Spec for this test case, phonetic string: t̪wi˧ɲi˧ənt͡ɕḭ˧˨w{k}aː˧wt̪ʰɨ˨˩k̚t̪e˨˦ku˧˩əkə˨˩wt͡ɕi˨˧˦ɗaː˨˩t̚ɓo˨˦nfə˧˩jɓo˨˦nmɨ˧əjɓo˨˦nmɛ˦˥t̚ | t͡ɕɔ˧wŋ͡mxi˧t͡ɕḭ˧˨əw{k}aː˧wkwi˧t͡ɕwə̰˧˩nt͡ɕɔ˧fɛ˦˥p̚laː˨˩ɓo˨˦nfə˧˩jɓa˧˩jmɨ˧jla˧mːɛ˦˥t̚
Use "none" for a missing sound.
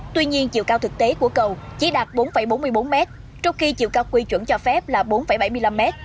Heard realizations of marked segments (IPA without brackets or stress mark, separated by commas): k, k